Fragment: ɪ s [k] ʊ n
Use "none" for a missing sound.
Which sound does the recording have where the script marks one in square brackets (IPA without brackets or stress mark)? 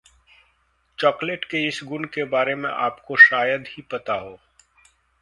ɡ